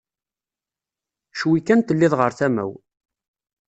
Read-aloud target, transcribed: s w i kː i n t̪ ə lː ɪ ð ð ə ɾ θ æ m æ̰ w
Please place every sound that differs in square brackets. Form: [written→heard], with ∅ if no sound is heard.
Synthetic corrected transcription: [s→ʃ] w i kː [i→æ] n t̪ ə lː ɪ ð [ð→ʁ] ə ɾ θ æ m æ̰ w